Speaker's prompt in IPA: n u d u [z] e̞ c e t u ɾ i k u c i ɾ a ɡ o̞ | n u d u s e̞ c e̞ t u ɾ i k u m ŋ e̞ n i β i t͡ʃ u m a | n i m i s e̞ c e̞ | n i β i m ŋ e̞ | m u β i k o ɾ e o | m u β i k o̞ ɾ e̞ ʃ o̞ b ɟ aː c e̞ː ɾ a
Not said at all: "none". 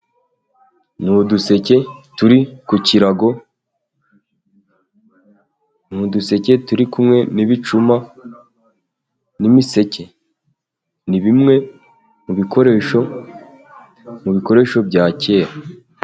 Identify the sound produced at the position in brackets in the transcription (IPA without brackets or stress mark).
s